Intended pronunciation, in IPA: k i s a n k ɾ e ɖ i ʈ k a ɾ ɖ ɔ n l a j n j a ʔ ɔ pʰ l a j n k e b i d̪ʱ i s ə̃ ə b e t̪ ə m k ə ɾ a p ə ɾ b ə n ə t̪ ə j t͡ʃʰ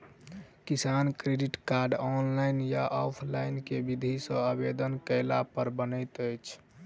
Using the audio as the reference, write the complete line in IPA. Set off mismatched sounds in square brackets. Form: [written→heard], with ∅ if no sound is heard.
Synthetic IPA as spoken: k i s a n k ɾ e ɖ i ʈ k a ɾ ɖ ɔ n l a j n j a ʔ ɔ pʰ l a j n k e b i d̪ʱ i s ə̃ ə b e [t̪→d̪] ə [m→n] k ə [ɾ→l] a p ə ɾ b ə n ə t̪ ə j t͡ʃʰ